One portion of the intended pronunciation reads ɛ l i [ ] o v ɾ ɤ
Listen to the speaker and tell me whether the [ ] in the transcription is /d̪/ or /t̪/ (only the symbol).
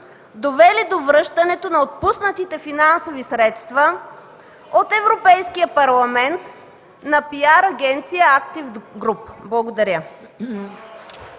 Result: d̪